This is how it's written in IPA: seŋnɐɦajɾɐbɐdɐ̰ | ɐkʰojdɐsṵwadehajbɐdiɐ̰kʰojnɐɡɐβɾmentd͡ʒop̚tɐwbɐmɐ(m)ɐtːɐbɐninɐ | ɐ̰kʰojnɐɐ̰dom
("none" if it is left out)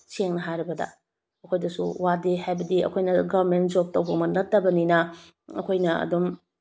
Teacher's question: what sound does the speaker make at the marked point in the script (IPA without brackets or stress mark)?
n